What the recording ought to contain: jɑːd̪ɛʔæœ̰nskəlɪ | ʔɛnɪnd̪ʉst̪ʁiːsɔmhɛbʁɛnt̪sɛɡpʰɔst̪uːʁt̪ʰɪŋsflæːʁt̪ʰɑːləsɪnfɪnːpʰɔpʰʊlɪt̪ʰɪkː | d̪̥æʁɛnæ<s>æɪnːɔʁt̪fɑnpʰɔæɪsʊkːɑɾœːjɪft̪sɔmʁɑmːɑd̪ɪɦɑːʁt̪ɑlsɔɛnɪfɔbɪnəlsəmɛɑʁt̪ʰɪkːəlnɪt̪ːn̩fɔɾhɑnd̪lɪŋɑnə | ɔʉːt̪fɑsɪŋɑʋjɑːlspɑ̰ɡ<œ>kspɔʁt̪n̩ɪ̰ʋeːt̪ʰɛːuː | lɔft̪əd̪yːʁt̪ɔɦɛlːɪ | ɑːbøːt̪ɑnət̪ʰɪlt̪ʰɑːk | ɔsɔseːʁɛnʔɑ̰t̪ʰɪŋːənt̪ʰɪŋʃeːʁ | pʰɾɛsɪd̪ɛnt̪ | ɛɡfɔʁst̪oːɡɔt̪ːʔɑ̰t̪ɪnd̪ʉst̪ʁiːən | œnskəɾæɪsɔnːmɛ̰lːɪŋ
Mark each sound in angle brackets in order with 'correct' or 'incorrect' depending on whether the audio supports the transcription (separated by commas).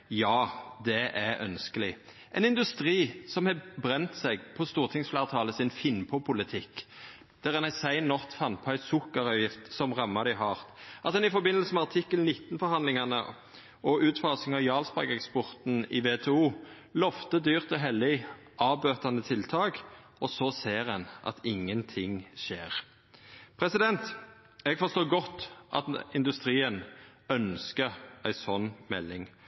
correct, incorrect